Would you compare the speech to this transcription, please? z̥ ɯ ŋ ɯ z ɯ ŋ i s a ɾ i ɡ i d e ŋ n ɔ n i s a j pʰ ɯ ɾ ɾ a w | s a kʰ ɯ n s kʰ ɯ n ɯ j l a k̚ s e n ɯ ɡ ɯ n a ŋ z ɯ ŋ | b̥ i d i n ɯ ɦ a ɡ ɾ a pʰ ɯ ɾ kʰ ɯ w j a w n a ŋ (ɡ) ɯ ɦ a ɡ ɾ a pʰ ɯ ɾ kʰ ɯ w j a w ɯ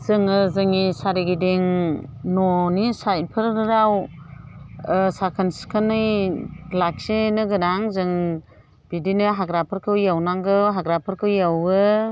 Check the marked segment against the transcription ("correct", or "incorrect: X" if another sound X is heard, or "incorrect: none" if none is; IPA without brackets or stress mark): correct